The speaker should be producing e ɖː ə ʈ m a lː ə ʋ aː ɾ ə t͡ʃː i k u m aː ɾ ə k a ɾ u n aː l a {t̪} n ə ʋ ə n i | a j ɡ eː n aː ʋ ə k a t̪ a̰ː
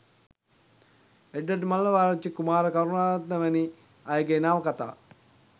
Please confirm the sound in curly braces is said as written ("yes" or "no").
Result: yes